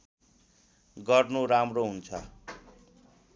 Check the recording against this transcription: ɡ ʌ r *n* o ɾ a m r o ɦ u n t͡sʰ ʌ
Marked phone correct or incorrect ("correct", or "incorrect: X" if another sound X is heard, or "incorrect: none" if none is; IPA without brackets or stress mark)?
correct